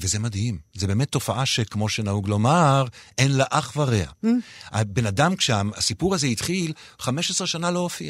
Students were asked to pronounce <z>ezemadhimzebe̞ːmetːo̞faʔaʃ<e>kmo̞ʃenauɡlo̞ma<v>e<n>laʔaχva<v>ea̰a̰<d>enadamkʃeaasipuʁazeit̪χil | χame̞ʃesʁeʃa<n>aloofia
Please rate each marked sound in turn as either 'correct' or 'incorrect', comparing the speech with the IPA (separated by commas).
incorrect, correct, incorrect, correct, incorrect, incorrect, correct